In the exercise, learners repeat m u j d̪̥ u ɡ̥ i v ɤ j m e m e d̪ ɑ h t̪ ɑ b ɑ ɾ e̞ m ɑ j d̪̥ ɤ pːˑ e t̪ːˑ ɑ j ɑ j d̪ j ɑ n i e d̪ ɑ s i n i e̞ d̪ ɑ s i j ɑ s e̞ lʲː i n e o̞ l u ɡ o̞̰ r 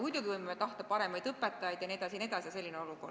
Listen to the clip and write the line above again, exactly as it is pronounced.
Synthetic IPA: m u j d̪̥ u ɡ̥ i v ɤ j m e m e t̪ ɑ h t̪ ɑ p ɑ ɾ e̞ m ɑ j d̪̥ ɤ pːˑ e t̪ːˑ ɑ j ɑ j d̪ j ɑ n i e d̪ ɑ s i n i e̞ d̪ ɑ s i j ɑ s e̞ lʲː i n e o̞ l u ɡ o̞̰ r